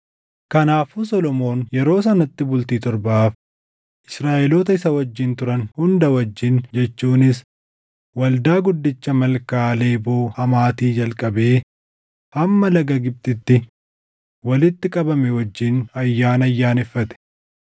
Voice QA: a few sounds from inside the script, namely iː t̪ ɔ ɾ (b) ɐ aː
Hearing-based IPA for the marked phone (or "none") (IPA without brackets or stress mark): b